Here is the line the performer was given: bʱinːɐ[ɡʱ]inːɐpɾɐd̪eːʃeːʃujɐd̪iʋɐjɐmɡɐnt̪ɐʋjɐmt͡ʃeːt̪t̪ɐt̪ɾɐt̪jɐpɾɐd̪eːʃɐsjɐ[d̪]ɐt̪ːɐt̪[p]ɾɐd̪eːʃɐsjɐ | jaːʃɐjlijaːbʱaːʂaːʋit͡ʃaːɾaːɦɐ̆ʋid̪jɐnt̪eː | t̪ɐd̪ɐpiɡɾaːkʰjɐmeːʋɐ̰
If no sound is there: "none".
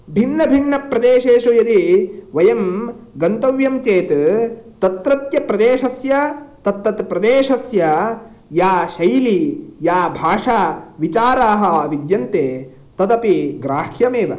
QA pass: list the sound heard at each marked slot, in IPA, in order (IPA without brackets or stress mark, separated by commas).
bʱ, t̪, p